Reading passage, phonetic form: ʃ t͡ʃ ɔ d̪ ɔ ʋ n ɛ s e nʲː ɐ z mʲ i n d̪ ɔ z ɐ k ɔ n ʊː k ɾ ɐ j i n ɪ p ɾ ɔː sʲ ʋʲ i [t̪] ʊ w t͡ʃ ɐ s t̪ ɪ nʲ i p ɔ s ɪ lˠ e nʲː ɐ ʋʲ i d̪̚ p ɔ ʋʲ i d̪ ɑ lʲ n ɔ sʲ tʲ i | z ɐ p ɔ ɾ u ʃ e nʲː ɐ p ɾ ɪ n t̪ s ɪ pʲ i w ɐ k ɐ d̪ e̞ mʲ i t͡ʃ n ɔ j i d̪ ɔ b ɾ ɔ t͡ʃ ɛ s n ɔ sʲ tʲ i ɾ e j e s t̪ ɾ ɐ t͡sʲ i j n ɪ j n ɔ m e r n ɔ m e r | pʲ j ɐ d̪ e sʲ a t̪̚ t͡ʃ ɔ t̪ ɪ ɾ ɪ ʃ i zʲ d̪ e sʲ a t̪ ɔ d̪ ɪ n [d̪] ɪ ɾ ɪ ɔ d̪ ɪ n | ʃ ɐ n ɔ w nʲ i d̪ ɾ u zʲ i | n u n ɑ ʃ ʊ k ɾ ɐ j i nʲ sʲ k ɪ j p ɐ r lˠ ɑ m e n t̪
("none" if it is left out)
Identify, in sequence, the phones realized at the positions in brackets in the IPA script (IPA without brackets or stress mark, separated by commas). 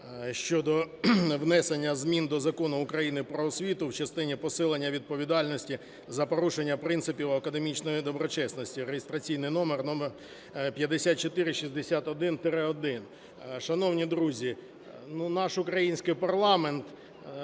t̪, t̪